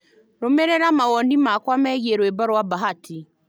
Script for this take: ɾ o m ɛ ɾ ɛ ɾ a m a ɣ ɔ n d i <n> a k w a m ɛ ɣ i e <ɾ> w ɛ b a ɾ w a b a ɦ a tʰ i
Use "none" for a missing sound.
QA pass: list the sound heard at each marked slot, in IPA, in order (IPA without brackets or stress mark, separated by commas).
m, ɾ